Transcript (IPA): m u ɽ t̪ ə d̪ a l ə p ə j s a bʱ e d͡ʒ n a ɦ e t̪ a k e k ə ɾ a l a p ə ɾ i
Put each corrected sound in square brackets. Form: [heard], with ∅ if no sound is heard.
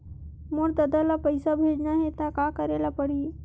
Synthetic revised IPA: m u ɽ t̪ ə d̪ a l [a] p ə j s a bʱ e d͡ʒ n a ɦ e t̪ a k [a] k ə ɾ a l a p ə [ɽ] i